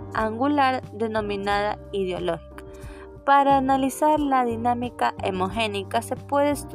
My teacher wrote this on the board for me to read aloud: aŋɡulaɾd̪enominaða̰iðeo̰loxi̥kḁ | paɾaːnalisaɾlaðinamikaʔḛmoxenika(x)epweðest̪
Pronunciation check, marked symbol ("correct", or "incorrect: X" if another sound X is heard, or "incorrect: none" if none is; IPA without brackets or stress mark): incorrect: s